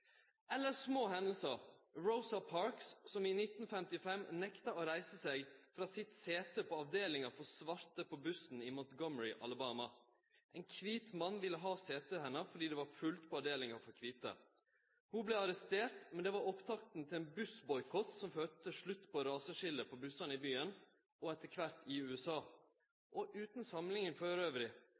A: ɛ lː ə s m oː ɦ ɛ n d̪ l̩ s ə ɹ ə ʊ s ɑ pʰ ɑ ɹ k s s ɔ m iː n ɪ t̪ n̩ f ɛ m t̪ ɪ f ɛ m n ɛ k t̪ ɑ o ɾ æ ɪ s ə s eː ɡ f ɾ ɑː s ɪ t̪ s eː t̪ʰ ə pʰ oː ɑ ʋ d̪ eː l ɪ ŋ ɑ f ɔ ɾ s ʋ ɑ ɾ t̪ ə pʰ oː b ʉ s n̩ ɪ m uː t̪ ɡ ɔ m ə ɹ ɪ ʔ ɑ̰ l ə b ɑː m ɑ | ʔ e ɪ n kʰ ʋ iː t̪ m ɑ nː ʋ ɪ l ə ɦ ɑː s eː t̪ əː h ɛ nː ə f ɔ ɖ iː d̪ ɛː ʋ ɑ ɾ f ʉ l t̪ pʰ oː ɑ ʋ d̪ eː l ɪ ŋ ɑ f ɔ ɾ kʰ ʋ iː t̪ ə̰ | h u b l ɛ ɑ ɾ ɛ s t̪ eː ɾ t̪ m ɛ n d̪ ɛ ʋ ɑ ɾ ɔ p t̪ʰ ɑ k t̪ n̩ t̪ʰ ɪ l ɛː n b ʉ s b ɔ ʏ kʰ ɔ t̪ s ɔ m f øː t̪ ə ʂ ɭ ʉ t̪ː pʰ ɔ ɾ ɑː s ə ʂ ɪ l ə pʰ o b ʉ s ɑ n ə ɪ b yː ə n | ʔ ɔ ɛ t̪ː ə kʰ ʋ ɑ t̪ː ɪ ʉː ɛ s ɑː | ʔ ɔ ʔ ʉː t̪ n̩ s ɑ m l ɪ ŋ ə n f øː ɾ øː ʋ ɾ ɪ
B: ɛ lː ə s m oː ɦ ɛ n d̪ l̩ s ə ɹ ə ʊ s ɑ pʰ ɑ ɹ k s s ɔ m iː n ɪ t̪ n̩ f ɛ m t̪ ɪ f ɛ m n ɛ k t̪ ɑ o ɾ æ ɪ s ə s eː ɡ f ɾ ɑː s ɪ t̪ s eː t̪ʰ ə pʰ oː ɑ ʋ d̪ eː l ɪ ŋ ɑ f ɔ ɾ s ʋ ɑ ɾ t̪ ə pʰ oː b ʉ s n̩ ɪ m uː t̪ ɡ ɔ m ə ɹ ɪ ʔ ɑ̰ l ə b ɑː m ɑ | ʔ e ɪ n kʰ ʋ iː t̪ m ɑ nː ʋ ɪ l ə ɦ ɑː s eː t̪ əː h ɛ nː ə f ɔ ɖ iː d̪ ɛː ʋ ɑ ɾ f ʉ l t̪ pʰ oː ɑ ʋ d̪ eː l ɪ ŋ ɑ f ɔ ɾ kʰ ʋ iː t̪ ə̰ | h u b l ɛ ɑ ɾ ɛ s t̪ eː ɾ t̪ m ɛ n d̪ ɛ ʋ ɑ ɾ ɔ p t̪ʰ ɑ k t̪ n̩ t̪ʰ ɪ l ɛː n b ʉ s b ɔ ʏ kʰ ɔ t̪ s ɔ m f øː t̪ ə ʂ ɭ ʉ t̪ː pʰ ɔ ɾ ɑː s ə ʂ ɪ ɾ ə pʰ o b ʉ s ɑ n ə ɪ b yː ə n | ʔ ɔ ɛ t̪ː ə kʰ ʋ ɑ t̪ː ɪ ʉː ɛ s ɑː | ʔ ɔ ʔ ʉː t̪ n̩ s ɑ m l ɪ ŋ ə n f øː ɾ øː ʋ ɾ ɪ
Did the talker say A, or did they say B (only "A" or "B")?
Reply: A